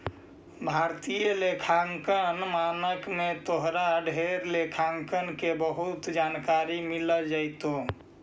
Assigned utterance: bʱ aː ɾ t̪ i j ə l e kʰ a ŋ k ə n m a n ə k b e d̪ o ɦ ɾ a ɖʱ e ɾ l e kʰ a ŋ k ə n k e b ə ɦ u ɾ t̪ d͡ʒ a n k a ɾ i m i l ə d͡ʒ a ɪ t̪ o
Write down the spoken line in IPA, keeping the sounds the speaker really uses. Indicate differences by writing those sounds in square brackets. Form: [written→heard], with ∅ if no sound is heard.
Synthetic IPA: bʱ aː ɾ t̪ i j ə l e kʰ a ŋ k ə n m a n ə k [b→m] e [d̪→t̪] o ɦ ɾ a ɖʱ e ɾ l e kʰ a ŋ k ə n k e b ə ɦ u [ɾ→∅] t̪ d͡ʒ a n k a ɾ i m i l ə d͡ʒ a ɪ t̪ o